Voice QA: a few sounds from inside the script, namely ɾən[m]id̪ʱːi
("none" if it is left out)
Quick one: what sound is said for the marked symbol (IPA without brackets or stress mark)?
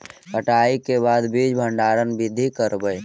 b